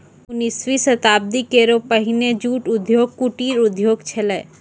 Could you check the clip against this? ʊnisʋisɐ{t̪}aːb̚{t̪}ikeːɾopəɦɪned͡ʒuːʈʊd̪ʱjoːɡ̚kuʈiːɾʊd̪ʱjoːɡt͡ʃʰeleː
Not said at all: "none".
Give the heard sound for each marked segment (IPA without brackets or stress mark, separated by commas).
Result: t̪, d̪